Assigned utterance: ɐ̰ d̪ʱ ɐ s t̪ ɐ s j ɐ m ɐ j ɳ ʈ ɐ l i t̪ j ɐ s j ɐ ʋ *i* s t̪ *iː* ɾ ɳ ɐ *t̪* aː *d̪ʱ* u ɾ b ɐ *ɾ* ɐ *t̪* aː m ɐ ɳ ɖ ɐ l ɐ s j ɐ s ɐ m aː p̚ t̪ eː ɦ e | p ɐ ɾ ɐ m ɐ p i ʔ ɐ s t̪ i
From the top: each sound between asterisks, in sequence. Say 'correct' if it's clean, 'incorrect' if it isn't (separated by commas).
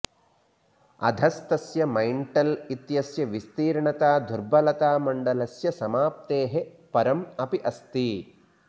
correct, correct, correct, correct, incorrect, correct